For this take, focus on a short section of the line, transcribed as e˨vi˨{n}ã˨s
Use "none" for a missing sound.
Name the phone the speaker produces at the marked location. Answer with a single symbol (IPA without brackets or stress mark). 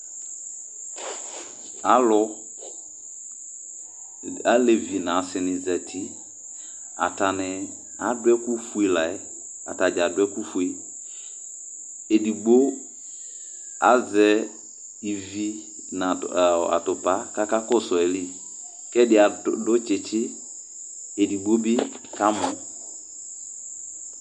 n